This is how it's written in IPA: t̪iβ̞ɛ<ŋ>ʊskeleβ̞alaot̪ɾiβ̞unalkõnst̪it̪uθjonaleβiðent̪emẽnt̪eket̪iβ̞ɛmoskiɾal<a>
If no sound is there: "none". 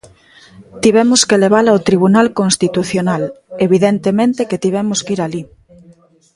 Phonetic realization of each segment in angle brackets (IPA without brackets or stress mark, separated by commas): m, i